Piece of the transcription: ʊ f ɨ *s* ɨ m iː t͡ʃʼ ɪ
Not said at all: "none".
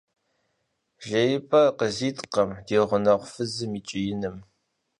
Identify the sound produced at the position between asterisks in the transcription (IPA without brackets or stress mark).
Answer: z